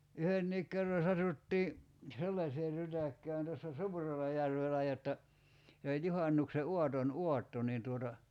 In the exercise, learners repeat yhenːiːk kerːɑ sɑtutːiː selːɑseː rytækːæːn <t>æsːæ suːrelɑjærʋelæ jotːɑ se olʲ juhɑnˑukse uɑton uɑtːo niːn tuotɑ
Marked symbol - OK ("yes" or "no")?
yes